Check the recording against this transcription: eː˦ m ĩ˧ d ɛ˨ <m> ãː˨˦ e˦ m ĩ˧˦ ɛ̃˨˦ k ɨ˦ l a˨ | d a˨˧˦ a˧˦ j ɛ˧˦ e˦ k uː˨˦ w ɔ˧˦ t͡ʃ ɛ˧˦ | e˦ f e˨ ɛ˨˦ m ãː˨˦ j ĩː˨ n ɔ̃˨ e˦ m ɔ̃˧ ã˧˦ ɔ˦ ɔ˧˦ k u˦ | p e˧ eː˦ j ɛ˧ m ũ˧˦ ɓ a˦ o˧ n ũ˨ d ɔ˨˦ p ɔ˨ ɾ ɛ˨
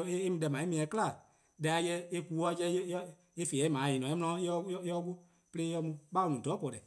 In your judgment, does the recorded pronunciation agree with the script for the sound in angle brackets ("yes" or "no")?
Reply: yes